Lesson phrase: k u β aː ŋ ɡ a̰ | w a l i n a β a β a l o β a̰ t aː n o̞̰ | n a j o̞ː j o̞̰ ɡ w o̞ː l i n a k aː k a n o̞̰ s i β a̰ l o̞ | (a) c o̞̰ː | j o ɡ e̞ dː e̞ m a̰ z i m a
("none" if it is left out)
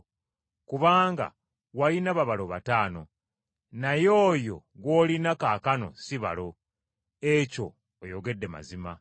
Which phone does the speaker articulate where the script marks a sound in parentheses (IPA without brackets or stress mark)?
e